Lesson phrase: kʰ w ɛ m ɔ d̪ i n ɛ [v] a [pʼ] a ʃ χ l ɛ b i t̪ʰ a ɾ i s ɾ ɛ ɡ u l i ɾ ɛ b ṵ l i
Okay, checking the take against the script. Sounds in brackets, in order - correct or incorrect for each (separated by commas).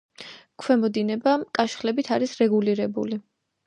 incorrect, incorrect